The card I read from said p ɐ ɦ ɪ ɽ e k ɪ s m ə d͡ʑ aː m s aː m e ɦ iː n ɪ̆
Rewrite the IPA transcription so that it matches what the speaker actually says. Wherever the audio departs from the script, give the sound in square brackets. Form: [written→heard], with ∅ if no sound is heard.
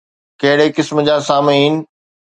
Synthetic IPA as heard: [p→k] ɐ ɦ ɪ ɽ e k ɪ s m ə d͡ʑ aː [m→∅] s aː m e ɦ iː n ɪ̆

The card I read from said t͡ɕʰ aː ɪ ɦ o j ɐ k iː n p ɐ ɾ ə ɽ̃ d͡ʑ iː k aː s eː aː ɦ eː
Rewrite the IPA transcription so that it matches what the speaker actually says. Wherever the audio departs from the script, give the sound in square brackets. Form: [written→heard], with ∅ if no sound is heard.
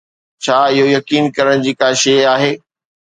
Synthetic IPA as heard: t͡ɕʰ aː ɪ ɦ o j ɐ k iː n [p→k] ɐ ɾ ə ɽ̃ d͡ʑ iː k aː [s→ʃ] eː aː ɦ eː

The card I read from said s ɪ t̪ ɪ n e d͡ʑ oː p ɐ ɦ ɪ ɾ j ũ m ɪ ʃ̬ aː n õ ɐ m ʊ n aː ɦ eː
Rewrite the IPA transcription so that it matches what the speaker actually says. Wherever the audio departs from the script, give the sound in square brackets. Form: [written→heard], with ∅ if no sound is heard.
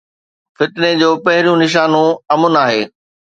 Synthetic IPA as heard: [s→f] ɪ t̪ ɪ n e d͡ʑ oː p ɐ ɦ ɪ ɾ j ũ [m→n] ɪ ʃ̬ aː n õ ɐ m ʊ n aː ɦ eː

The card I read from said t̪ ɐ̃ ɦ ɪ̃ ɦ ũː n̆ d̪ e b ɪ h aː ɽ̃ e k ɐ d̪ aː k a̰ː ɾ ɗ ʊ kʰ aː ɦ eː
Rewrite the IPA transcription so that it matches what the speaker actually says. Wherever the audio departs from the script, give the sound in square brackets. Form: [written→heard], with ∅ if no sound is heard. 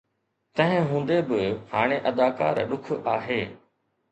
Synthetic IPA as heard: t̪ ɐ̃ ɦ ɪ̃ ɦ ũː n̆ d̪ e b ɪ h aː ɽ̃ e [k→ʔ] ɐ d̪ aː k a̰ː ɾ ɗ ʊ kʰ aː ɦ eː

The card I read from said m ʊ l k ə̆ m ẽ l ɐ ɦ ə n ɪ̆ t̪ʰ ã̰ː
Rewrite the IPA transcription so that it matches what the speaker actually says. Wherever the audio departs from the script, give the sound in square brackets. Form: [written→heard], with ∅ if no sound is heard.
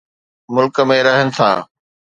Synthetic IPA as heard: m ʊ l k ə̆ m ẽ [l→ɾ] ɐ ɦ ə n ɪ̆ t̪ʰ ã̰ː

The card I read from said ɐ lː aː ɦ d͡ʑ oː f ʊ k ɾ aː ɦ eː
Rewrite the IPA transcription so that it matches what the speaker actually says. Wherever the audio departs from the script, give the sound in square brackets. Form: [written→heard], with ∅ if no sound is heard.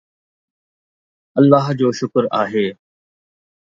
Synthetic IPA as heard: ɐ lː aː ɦ d͡ʑ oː [f→ʃ] ʊ k ɾ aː ɦ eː

